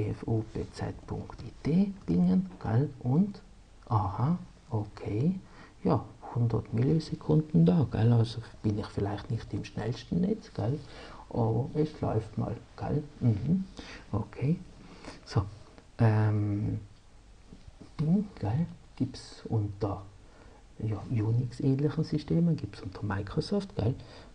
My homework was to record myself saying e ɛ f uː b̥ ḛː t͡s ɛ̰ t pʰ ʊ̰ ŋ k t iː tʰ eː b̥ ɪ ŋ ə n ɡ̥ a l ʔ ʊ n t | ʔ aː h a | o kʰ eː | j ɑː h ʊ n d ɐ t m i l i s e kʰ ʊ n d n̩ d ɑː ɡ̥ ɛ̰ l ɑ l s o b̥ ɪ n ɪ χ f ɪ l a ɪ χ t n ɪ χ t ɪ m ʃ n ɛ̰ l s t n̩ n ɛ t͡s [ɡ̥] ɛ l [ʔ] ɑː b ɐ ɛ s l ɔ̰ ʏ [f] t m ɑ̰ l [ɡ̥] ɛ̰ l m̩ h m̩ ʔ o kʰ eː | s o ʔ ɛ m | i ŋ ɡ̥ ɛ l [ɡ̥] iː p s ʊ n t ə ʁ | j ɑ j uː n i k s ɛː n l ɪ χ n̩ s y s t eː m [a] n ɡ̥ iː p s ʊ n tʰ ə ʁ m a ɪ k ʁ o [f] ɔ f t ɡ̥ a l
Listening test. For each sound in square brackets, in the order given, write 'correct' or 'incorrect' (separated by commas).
correct, correct, correct, correct, correct, incorrect, incorrect